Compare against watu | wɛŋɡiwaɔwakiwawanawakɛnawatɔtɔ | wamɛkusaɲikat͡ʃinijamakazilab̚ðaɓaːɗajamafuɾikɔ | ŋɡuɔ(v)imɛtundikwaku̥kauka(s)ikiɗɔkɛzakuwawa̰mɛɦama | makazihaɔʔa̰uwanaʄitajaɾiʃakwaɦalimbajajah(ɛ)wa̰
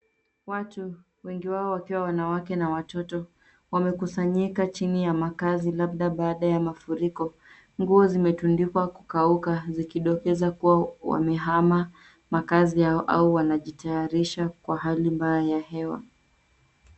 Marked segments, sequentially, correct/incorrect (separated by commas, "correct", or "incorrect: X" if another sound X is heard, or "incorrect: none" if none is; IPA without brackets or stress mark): incorrect: z, incorrect: z, correct